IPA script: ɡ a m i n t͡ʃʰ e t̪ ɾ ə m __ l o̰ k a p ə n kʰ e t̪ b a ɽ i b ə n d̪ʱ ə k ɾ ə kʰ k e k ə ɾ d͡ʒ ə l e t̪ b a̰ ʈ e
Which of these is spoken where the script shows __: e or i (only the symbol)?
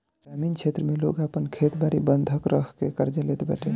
e